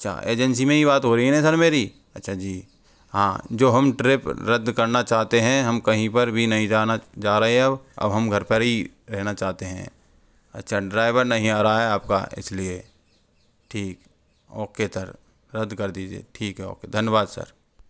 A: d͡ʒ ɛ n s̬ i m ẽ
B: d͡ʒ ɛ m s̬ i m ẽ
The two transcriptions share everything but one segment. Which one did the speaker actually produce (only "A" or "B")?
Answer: A